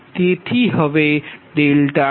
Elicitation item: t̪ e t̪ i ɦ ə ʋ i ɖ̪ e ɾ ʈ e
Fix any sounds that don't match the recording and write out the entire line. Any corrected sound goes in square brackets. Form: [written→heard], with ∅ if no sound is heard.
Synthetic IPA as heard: t̪ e [t̪→t̪ʰ] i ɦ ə ʋ [i→e] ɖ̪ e [ɾ→l] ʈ [e→a]

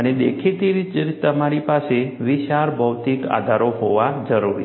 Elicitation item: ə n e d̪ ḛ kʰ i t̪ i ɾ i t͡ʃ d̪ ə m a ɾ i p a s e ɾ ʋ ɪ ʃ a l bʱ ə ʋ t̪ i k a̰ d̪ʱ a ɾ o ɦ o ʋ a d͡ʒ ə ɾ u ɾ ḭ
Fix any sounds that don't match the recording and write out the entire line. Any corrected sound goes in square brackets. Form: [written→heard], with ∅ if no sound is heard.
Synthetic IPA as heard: ə n e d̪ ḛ kʰ i t̪ i ɾ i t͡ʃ [d̪→t̪] ə m a ɾ i p a s e [ɾ→∅] ʋ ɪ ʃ a [l→ɾ] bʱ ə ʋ t̪ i k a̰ d̪ʱ a ɾ o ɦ o ʋ a d͡ʒ ə ɾ u ɾ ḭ

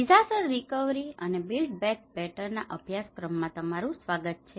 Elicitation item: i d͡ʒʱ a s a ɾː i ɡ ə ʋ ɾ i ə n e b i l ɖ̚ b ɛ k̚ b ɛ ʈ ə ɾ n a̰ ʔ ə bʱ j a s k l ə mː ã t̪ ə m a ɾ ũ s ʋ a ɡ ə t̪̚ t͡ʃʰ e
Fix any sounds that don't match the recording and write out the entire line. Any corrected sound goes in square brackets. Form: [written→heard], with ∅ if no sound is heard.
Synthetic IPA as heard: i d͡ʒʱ a s [a→ə] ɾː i [ɡ→k] ə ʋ ɾ i ə n e b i l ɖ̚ b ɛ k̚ b ɛ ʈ ə ɾ n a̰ ʔ ə bʱ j a s k [l→ɾ] ə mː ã t̪ ə m a ɾ ũ s ʋ a ɡ ə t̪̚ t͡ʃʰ e

